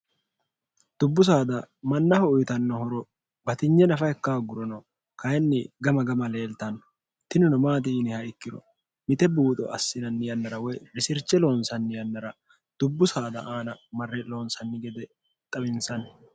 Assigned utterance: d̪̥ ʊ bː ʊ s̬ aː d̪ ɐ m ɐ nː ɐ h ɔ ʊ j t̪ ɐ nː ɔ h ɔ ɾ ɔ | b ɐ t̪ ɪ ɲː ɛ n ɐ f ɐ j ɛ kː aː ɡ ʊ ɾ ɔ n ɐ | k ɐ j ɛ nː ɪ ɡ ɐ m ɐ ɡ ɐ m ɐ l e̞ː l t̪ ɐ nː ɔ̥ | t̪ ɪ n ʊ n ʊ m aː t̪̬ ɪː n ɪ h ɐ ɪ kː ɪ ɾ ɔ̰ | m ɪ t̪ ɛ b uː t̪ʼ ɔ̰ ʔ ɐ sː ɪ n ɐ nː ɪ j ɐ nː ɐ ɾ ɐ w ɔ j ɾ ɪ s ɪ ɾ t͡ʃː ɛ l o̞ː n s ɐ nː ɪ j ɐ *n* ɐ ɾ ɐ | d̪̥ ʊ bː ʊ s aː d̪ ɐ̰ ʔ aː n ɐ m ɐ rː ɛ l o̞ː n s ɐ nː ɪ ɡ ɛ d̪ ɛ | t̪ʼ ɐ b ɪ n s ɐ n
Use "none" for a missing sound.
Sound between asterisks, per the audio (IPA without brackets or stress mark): nː